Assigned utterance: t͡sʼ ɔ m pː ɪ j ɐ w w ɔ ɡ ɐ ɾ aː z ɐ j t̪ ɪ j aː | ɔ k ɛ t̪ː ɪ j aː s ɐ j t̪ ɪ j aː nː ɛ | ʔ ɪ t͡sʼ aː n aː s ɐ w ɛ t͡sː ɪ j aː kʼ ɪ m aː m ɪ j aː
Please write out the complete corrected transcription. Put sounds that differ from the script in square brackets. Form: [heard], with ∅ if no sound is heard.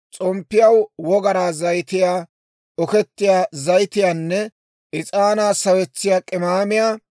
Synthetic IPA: t͡sʼ ɔ m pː ɪ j ɐ w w ɔ ɡ ɐ ɾ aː z ɐ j t̪ ɪ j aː | ɔ k ɛ t̪ː ɪ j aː [z] ɐ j t̪ ɪ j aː nː ɛ | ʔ ɪ t͡sʼ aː n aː s ɐ w ɛ t͡sː ɪ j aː kʼ ɪ m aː m ɪ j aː